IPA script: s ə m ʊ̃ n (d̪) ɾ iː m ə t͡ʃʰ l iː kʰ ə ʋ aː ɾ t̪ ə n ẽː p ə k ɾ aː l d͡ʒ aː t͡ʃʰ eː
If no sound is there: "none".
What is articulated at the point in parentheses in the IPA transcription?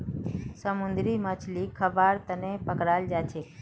d̪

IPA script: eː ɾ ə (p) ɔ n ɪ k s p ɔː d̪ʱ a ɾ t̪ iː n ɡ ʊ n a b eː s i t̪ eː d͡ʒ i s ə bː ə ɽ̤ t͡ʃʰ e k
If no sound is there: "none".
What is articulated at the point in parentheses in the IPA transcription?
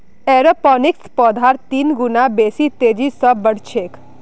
p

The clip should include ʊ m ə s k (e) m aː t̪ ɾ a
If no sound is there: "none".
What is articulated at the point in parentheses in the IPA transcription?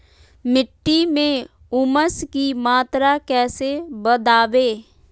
i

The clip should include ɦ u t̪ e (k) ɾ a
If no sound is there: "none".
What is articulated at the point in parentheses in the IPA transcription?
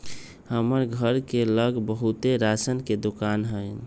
none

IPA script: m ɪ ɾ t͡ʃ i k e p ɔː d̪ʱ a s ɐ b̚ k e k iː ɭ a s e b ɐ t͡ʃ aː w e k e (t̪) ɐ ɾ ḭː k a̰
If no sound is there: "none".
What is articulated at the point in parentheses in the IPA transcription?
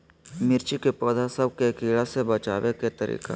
t̪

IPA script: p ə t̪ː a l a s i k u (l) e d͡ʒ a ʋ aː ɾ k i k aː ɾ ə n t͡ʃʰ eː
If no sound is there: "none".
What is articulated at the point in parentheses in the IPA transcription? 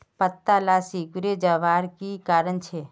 ɾ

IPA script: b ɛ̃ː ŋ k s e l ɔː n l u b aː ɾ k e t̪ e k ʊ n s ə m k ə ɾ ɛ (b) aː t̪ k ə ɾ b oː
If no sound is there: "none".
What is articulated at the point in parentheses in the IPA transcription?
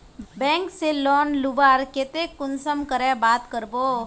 b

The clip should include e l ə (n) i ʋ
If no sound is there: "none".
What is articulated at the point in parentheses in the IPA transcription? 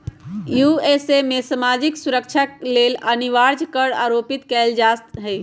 n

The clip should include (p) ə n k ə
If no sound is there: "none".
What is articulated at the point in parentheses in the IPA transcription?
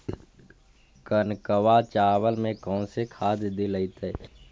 k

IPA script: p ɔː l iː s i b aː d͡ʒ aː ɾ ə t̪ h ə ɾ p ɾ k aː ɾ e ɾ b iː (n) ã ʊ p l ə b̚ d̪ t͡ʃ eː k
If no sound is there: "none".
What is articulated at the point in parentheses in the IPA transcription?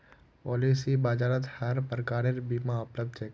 m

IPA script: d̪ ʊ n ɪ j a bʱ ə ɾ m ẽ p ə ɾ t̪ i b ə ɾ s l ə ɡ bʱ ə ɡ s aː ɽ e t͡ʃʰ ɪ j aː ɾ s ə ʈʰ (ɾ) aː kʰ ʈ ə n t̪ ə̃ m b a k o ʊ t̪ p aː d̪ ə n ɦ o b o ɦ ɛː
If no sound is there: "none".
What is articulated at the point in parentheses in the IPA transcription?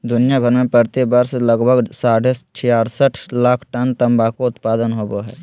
l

